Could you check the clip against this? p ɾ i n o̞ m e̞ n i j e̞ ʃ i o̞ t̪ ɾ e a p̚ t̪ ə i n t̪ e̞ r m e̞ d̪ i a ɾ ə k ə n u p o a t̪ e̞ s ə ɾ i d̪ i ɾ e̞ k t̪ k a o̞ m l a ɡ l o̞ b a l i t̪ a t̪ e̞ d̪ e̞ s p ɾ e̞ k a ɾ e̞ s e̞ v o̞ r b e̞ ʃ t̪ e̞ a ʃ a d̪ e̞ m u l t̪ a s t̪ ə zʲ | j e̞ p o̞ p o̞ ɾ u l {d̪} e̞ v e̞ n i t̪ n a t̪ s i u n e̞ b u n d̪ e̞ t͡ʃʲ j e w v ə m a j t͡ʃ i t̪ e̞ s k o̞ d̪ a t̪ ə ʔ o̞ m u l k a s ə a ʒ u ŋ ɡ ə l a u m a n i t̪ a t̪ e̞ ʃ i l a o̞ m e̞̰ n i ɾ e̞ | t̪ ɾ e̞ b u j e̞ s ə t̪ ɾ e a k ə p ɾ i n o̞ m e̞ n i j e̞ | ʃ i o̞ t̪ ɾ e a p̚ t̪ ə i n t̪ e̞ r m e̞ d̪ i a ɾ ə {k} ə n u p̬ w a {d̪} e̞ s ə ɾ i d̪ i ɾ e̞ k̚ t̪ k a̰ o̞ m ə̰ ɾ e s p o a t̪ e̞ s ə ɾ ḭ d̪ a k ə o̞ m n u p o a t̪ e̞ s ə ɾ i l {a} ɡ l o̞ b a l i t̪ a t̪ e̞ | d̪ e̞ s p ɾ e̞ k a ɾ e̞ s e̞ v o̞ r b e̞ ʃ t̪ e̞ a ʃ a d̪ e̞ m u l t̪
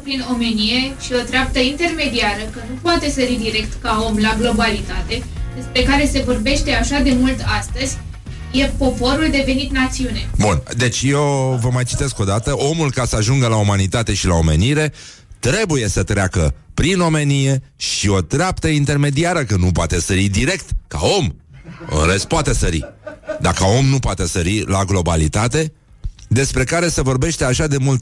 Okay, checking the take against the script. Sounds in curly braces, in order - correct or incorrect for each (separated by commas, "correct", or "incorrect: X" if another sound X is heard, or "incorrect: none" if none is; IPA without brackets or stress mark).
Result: correct, correct, incorrect: t̪, correct